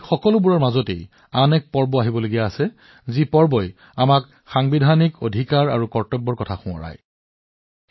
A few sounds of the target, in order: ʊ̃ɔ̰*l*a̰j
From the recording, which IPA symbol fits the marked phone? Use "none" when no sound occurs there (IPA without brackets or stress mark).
ɹ